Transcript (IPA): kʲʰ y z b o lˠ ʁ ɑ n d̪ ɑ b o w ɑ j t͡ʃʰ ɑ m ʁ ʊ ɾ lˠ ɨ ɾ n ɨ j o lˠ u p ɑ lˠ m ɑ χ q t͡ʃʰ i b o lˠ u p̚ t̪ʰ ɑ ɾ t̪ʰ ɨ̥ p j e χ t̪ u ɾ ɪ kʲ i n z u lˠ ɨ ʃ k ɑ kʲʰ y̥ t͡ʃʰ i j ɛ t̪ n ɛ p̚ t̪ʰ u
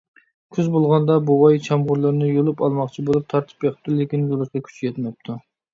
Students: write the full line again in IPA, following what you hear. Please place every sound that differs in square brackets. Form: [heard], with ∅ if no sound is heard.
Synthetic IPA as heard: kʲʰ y z b o lˠ ʁ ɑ n d̪ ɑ b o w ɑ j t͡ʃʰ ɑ m ʁ ʊ ɾ lˠ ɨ ɾ n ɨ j o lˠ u p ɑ lˠ m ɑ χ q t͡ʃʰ i b o lˠ u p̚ t̪ʰ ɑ ɾ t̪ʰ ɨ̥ p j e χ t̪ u [l] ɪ kʲ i n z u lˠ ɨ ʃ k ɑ kʲʰ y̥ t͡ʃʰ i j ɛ t̪ [m] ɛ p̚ t̪ʰ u